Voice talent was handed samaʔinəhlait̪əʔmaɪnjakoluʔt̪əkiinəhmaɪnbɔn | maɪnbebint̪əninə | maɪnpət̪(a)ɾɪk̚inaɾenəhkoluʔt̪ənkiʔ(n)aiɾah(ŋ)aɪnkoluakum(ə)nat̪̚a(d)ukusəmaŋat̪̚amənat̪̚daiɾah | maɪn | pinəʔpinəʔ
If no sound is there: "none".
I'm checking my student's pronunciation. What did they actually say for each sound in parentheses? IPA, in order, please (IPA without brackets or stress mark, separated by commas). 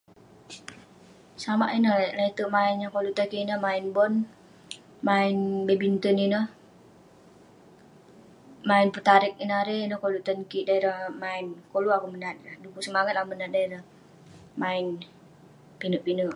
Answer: a, d, m, ə, d